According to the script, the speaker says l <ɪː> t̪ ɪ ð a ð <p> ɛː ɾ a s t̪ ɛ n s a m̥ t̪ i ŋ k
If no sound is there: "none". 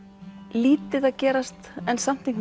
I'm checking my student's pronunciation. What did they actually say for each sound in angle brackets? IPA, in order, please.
iː, c

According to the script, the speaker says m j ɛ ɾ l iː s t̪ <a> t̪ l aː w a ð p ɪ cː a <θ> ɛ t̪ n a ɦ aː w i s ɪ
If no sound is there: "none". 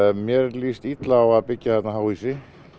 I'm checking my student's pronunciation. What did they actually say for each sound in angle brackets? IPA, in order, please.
i, θ

